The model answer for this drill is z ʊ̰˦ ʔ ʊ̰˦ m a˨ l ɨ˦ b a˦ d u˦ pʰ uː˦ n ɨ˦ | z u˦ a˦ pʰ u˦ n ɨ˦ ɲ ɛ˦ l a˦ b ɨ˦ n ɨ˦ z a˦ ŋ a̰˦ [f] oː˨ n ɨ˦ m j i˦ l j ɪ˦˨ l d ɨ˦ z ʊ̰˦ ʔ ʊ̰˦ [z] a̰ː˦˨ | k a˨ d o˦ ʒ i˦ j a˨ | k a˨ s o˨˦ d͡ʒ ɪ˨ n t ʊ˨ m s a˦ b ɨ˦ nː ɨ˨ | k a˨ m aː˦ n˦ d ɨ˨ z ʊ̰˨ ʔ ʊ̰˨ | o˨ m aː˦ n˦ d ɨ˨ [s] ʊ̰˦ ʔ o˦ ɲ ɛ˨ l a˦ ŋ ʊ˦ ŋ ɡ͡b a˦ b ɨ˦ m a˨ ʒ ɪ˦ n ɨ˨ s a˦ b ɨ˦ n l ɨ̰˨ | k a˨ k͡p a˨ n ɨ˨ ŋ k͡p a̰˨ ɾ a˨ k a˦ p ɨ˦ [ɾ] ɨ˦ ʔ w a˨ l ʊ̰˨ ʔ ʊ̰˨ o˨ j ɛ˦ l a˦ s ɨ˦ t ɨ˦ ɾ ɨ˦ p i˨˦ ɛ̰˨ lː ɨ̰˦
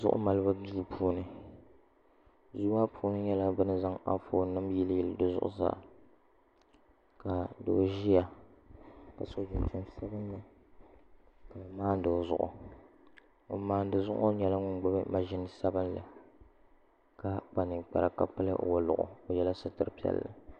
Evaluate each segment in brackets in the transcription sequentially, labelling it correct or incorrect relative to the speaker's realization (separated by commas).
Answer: correct, correct, incorrect, incorrect